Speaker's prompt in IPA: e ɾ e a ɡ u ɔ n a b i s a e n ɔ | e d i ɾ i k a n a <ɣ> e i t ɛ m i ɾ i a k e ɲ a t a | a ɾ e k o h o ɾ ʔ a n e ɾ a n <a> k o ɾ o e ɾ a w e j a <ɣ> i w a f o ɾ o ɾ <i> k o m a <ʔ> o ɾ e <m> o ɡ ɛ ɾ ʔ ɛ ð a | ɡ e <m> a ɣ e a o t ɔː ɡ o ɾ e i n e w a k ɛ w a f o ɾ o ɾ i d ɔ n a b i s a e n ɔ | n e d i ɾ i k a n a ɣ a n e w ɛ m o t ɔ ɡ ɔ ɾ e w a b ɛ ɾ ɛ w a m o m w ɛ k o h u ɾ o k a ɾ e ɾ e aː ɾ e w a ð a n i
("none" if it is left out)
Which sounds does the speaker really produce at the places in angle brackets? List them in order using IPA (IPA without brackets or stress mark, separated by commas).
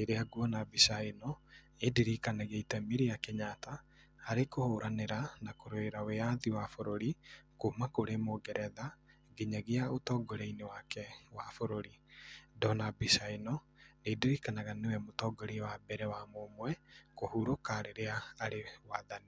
ɣ, a, ð, i, k, m, ɲ